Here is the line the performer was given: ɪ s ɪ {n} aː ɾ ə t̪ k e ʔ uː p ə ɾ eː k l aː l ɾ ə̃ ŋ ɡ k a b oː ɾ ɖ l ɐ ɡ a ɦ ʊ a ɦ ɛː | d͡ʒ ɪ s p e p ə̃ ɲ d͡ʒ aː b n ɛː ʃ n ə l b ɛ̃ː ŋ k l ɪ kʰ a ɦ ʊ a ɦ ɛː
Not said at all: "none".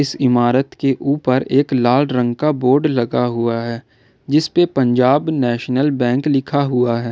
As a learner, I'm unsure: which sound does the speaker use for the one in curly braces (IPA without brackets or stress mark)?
m